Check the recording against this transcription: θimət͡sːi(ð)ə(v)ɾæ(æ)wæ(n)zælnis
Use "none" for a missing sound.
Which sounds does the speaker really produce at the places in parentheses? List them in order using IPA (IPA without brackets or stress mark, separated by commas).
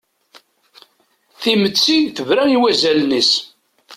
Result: θ, v, i, none